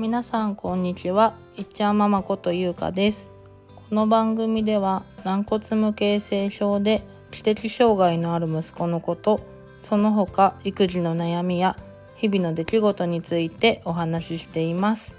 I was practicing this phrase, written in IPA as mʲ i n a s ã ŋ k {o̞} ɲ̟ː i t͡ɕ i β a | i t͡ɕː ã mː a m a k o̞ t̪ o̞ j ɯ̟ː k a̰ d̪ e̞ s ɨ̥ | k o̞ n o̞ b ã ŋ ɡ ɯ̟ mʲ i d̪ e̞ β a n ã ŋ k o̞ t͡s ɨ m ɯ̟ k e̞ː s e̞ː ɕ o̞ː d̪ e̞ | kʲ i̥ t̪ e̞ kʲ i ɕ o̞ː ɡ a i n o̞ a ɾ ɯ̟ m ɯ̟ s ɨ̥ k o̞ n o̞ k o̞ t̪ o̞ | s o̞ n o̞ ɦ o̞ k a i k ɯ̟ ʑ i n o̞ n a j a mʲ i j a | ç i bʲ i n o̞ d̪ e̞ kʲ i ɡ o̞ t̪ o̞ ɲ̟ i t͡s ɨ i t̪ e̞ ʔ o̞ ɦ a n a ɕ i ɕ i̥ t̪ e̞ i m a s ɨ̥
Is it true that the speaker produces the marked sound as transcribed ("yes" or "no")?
no